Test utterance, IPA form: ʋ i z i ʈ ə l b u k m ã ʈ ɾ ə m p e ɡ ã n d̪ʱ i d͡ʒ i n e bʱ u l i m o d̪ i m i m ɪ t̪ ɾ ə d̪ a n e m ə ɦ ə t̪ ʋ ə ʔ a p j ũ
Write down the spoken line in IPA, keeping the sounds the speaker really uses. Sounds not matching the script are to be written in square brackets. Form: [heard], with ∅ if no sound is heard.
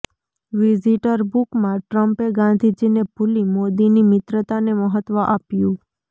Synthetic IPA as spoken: ʋ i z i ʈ ə [ɾ] b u k m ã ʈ ɾ ə m p e ɡ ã n d̪ʱ i d͡ʒ i n e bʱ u l i m o d̪ i [n] i m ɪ t̪ ɾ ə [t̪] a n e m ə ɦ ə t̪ ʋ ə ʔ a p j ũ